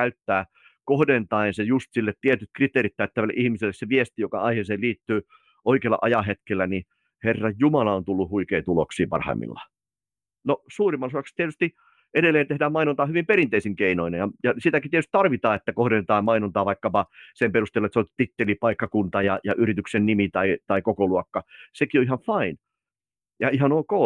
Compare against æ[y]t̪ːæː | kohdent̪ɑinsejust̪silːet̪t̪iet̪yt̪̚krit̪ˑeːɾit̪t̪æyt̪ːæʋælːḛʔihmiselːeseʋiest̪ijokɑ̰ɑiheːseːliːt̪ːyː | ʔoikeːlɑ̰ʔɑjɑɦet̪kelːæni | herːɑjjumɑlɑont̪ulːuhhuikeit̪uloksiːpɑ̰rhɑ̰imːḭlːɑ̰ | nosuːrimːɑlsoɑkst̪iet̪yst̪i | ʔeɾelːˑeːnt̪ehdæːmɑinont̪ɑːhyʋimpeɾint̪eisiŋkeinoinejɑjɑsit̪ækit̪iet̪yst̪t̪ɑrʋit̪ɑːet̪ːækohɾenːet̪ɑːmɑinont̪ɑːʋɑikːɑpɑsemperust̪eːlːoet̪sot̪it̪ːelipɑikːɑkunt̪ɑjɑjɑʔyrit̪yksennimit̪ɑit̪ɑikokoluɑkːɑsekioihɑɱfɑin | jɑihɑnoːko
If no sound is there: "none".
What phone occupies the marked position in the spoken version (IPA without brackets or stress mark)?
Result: y